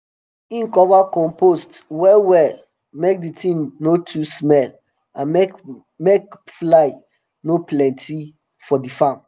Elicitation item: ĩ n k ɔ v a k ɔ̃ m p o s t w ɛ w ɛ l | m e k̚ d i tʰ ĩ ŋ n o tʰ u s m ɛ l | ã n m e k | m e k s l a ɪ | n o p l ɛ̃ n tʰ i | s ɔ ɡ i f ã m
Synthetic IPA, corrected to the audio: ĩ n k ɔ v a k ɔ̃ m p o s t w ɛ w ɛ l | m e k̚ d i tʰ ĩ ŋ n o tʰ u s m ɛ l | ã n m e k | m e k f l a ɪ | n o p l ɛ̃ n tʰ i | f ɔ d i f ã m